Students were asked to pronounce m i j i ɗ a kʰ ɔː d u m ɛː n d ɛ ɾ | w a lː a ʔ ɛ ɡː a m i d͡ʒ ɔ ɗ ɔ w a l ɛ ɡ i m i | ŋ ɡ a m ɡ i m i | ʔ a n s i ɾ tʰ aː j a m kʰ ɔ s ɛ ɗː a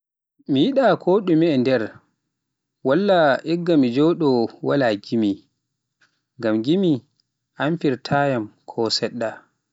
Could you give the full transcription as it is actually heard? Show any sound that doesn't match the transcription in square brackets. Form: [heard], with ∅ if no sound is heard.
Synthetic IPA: m i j i ɗ a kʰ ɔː [ɗ] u m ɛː n d ɛ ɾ | w a lː a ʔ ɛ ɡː a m i d͡ʒ ɔ ɗ ɔ w a l [a] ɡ i m i | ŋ ɡ a m ɡ i m i | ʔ a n [f] i ɾ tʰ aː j a m kʰ ɔ s ɛ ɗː a

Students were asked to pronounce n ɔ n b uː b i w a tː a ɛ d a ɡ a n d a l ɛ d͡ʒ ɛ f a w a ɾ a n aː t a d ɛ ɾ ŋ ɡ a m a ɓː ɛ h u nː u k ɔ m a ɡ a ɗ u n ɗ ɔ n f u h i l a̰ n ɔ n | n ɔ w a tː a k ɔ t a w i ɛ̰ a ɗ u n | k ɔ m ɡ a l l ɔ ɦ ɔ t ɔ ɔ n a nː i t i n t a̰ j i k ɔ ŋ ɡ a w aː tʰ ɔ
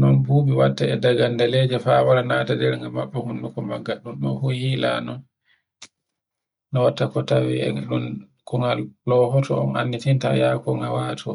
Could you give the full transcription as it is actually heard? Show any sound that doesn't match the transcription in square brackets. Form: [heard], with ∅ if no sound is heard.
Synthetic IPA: n ɔ n b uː b i w a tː a ɛ d a ɡ a n d a l ɛ d͡ʒ ɛ f a w a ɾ a n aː t a d ɛ ɾ ŋ ɡ a m a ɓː ɛ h u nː u k ɔ m a ɡ a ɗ u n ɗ ɔ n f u h i l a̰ n ɔ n | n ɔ w a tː a k ɔ t a w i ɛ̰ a ɗ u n | k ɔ [ŋ] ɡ a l l ɔ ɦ ɔ t ɔ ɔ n a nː i t i n t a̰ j [a] k ɔ ŋ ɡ a w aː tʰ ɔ

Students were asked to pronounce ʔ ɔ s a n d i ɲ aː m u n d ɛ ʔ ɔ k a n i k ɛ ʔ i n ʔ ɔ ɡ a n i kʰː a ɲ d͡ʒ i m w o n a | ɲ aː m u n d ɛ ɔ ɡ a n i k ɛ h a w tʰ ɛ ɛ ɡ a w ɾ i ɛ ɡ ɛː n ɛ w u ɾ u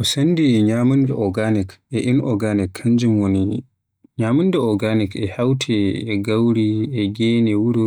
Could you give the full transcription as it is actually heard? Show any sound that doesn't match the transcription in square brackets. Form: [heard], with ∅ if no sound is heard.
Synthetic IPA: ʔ ɔ s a n d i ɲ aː m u n d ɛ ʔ ɔ [ɡ] a n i k ɛ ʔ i n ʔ ɔ ɡ a n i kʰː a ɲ d͡ʒ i m w o n [i] | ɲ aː m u n d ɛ ɔ ɡ a n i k ɛ h a w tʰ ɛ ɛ ɡ a w ɾ i ɛ ɡ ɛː n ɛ w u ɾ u

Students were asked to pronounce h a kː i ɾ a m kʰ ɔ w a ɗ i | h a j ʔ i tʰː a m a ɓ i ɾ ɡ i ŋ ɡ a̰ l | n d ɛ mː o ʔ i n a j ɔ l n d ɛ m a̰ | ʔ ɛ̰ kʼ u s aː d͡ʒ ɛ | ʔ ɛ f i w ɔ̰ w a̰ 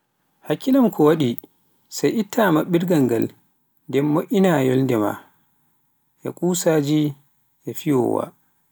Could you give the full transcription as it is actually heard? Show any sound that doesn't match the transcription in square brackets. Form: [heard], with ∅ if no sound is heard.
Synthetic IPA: h a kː i [l] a m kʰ ɔ w a ɗ i | [s] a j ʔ i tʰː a m a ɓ i ɾ ɡ [a] ŋ ɡ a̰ l | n d ɛ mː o ʔ i n a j ɔ l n d ɛ m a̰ | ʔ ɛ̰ kʼ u s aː d͡ʒ [i] | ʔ ɛ f i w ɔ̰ w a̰

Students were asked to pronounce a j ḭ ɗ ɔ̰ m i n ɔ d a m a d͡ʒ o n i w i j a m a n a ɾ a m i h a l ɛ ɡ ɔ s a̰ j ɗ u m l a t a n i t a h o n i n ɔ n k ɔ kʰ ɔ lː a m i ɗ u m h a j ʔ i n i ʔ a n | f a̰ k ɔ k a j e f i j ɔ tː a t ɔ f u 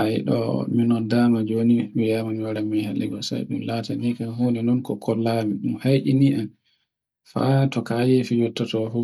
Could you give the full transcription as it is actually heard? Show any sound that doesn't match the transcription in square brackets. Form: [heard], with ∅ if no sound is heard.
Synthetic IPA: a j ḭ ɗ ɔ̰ m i n ɔ d a m a d͡ʒ o n i w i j a m a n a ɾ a m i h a l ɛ ɡ ɔ s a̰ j ɗ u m l a t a n i [k] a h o n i n ɔ n k ɔ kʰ ɔ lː a m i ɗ u m h a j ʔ i n i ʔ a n | f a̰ [t] ɔ k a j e f i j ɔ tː a t ɔ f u

